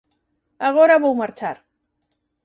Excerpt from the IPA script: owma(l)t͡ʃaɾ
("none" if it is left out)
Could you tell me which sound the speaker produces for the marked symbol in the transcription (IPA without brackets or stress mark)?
ɾ